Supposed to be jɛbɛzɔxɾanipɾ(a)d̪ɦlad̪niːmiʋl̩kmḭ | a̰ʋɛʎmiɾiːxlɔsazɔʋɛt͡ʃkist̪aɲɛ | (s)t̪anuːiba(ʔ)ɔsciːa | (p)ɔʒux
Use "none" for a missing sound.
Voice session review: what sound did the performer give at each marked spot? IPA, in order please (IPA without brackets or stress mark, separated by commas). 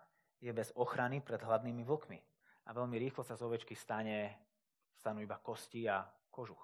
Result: ɛ, s, k, k